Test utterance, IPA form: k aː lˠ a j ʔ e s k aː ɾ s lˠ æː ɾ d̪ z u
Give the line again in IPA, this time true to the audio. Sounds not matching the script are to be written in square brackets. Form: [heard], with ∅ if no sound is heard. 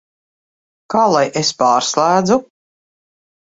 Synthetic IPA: k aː lˠ a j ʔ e s [p] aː ɾ s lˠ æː [∅] d̪ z u